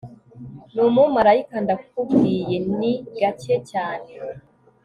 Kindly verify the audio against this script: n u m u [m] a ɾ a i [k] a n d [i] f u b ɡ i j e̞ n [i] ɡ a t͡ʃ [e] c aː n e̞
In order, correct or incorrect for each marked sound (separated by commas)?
correct, correct, incorrect, correct, correct